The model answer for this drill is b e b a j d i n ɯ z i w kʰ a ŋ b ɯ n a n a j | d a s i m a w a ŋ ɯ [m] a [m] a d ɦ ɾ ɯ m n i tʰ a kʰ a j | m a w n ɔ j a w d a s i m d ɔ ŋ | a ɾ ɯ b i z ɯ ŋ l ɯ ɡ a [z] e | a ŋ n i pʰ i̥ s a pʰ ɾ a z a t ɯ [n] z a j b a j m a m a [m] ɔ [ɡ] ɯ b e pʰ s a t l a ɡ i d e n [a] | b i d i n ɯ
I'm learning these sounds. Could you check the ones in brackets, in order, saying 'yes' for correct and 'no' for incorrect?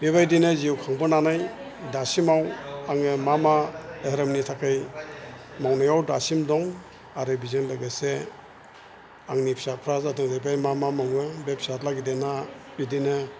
yes, yes, no, no, yes, no, yes

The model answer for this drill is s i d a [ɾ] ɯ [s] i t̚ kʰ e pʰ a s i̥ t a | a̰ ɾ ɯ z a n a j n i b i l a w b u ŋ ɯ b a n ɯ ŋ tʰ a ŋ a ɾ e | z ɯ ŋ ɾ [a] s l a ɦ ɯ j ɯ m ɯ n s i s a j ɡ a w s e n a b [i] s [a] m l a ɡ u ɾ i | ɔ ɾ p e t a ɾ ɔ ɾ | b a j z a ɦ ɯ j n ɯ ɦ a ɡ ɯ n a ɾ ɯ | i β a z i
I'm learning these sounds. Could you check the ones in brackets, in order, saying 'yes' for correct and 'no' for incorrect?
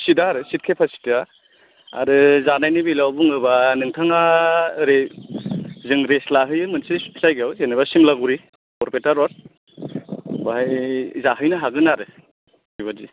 yes, yes, no, no, no

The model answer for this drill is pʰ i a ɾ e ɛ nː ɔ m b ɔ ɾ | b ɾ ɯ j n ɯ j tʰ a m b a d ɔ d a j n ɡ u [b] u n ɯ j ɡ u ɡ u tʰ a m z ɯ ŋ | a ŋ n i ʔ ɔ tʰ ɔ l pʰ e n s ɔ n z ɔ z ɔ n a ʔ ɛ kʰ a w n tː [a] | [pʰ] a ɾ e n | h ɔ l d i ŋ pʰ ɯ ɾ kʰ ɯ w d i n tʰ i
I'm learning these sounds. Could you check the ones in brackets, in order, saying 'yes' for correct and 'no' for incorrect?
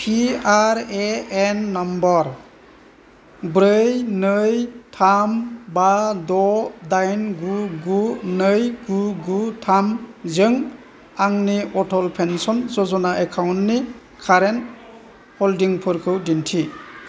no, no, no

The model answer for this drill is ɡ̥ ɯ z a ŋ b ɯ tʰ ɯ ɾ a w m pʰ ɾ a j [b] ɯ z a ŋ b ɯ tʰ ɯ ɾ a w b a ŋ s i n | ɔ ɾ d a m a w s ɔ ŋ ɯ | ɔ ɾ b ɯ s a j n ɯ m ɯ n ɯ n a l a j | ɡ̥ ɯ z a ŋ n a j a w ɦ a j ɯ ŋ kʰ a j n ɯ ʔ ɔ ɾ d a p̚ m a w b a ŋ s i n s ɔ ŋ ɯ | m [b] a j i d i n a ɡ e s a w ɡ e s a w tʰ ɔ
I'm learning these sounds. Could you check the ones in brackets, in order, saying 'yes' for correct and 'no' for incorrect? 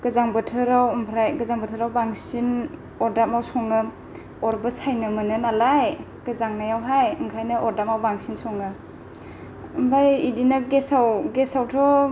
no, yes

